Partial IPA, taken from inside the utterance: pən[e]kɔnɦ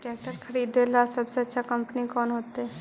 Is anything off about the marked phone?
yes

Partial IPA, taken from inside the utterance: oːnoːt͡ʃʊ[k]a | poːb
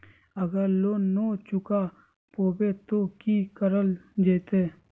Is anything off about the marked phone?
no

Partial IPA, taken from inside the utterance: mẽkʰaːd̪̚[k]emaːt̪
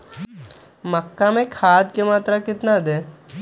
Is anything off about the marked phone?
no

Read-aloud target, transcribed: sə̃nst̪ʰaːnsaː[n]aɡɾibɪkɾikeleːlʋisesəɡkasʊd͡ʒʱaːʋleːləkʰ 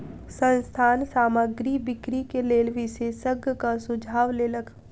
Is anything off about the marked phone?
yes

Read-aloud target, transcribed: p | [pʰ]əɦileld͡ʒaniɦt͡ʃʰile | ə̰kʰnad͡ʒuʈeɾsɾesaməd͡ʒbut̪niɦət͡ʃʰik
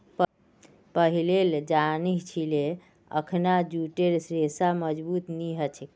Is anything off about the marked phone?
yes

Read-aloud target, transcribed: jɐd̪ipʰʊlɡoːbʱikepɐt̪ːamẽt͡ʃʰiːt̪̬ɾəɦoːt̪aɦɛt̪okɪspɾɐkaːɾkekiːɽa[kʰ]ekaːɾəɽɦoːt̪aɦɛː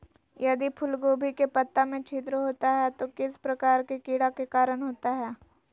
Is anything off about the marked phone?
yes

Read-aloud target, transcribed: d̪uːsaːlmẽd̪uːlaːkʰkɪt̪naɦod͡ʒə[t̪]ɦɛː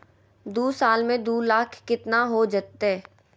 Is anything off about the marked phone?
no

